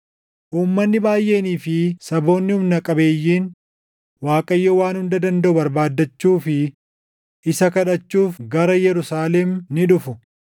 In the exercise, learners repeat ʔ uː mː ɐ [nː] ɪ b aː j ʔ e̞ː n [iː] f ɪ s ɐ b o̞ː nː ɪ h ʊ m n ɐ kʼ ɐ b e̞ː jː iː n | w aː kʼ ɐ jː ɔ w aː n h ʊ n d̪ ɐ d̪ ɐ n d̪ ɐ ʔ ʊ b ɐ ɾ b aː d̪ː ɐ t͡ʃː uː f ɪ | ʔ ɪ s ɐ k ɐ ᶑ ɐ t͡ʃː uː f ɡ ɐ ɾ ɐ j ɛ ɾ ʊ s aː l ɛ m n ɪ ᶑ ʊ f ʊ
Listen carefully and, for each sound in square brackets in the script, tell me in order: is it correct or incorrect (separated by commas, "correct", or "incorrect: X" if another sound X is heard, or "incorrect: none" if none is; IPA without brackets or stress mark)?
correct, correct